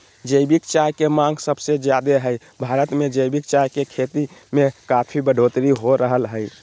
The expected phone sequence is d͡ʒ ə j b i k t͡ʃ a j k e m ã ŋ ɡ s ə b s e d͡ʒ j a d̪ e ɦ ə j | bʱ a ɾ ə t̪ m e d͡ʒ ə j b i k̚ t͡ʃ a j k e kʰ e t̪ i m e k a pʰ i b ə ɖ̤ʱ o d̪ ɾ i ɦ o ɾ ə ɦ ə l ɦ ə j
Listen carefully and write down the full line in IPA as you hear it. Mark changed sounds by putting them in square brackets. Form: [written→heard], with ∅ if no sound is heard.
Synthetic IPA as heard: d͡ʒ ə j b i k t͡ʃ a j k e m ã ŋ ɡ s ə b s e d͡ʒ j a d̪ e ɦ ə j | bʱ a ɾ ə t̪ m e d͡ʒ ə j b i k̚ t͡ʃ a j k e kʰ e t̪ i m e k a pʰ i b ə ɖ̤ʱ o [d̪→t̪] ɾ i ɦ o ɾ ə ɦ ə l ɦ ə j

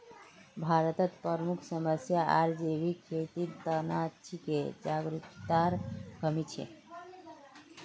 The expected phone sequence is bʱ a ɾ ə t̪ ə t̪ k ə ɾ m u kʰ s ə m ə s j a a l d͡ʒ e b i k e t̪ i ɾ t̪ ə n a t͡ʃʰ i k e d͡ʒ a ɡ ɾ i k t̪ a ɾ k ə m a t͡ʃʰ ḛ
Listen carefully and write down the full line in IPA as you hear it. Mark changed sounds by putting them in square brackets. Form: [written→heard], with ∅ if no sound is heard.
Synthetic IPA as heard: bʱ a ɾ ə t̪ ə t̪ [k→p] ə ɾ m u kʰ s ə m ə s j a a [l→ɾ] d͡ʒ e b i [k→kʰ] e t̪ i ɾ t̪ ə n a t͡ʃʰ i k e d͡ʒ a ɡ ɾ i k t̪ a ɾ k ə m [a→i] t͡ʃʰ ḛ

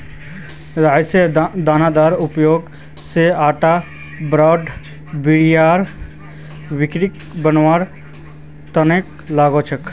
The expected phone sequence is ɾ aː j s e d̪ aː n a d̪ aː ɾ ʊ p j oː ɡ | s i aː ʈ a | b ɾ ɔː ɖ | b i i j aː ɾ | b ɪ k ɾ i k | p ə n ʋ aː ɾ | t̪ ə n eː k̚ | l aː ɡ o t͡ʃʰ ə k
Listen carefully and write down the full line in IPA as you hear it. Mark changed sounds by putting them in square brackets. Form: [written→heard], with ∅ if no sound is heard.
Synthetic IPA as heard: ɾ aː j s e d̪ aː n a d̪ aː ɾ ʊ p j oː ɡ | s [i→e] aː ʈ a | b ɾ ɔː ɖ | b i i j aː ɾ | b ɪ k ɾ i k | [p→b] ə n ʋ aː ɾ | t̪ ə n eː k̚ | l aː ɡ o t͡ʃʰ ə k

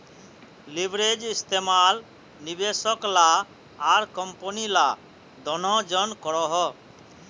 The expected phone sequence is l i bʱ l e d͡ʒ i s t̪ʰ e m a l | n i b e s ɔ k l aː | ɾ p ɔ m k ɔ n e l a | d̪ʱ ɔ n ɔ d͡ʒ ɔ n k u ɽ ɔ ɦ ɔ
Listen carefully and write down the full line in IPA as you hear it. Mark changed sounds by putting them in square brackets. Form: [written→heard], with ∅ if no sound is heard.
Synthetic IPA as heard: l i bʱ [l→ɾ] e d͡ʒ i s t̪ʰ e m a l | n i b e s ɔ k l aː | ɾ [p→k] ɔ m [k→p] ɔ n [e→i] l a | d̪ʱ ɔ n ɔ d͡ʒ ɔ n k [u→ɔ] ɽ ɔ ɦ ɔ

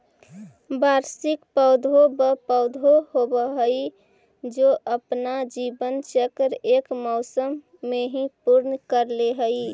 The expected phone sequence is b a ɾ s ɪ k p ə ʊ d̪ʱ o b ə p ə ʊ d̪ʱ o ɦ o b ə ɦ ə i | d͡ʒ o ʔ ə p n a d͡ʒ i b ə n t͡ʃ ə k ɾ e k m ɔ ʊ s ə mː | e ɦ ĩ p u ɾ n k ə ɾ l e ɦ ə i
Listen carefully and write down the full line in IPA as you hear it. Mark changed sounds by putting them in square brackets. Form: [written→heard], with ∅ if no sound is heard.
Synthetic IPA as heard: b a ɾ s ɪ k p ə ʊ d̪ʱ o b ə p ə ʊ d̪ʱ o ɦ o b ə ɦ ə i | d͡ʒ o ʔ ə p n a d͡ʒ i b ə n t͡ʃ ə k ɾ e k m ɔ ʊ s ə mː | e ɦ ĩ p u ɾ n k ə ɾ l e ɦ ə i

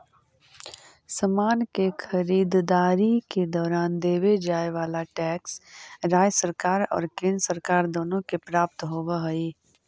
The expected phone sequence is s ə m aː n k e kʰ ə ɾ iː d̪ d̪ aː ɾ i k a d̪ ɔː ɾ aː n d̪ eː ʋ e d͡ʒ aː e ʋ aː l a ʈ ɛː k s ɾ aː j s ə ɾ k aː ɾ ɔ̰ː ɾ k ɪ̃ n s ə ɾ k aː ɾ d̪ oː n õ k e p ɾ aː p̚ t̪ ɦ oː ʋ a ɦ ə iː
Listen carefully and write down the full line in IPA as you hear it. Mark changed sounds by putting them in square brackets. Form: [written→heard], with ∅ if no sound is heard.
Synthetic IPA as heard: s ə m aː n k e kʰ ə ɾ iː d̪ d̪ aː ɾ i k [a→e] d̪ ɔː ɾ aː n d̪ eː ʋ e d͡ʒ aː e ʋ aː l a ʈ ɛː k s ɾ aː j s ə ɾ k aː ɾ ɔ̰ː ɾ k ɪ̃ n s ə ɾ k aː ɾ d̪ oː n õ k e p ɾ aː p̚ t̪ ɦ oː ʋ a ɦ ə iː

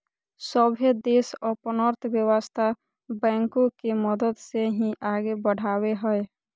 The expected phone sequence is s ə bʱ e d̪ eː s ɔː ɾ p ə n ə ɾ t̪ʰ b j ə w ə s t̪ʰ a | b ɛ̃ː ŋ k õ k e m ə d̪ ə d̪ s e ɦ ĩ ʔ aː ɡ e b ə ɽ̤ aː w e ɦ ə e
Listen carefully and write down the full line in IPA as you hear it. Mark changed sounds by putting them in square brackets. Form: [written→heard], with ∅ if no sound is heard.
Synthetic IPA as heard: s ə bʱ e d̪ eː s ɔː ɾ p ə n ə ɾ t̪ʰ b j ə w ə s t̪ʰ a | b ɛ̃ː ŋ k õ k e m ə d̪ ə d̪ s e ɦ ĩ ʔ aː ɡ e b ə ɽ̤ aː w e ɦ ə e

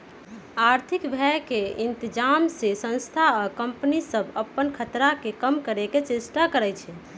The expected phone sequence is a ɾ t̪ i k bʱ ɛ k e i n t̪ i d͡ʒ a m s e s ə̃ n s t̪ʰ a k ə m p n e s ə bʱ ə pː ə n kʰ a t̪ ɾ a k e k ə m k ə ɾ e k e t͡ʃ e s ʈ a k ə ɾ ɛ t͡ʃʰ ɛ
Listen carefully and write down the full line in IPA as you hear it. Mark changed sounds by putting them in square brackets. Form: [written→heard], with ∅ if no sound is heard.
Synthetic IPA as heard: a ɾ [t̪→t̪ʰ] i k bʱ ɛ k e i n t̪ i d͡ʒ a m s e s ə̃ n s t̪ʰ a k ə m p n [e→i] s ə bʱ ə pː ə n kʰ [a→ə] t̪ ɾ a k e k ə m k ə ɾ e k e t͡ʃ e s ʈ a k ə ɾ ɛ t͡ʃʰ ɛ

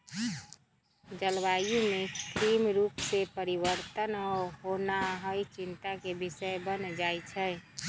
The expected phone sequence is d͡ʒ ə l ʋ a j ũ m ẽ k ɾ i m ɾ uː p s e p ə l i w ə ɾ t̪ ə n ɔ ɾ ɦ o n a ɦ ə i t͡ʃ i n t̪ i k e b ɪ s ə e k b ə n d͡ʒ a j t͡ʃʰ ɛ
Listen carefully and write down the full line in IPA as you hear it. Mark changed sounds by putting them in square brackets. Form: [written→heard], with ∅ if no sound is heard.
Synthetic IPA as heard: d͡ʒ ə l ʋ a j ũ m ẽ k ɾ i m ɾ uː p s e p ə [l→ɾ] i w ə ɾ t̪ ə n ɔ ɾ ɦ o n a ɦ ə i t͡ʃ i n t̪ [i→a] k e b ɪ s ə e [k→∅] b ə n d͡ʒ a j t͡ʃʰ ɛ

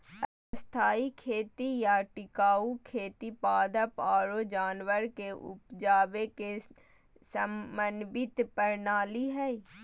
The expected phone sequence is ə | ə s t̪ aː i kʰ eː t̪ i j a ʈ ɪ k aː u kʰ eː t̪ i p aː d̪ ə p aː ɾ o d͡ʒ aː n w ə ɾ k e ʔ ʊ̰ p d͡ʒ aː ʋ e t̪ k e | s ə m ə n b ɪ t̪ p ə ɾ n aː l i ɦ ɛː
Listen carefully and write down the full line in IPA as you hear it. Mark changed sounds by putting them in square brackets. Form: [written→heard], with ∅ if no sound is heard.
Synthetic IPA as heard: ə | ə s [t̪→t̪ʰ] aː i kʰ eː t̪ i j a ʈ ɪ k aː u kʰ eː t̪ i p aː d̪ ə p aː ɾ o d͡ʒ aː n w ə ɾ k e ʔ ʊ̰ p d͡ʒ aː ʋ e [t̪→∅] k e | s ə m ə n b ɪ t̪ p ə ɾ n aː l i ɦ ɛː

